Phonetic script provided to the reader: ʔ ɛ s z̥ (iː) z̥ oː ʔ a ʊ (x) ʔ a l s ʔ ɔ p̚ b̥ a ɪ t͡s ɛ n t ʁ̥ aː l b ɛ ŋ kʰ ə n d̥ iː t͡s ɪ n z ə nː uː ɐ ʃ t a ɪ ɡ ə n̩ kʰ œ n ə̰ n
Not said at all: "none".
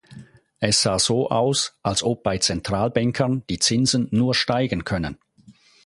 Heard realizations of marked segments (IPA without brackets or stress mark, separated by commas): aː, s